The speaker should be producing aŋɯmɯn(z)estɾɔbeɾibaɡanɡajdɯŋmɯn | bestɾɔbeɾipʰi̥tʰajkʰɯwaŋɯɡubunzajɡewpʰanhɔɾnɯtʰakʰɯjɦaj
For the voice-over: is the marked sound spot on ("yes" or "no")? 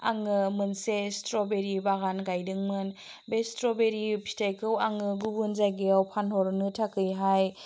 no